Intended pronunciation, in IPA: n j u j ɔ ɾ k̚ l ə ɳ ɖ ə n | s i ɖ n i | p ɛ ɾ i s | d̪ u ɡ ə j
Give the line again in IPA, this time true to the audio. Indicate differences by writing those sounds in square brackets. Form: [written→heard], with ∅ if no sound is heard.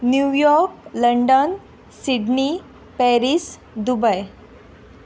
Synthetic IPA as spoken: n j u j ɔ ɾ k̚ l ə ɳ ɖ ə n | s i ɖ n i | p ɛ ɾ i s | d̪ u [ɡ→b] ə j